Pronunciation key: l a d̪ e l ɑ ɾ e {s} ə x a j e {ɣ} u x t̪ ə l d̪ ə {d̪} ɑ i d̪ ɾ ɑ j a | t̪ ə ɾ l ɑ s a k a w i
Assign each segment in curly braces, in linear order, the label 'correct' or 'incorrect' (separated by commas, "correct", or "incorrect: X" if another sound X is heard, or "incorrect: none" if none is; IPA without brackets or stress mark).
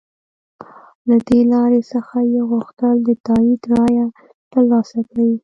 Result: correct, correct, incorrect: t̪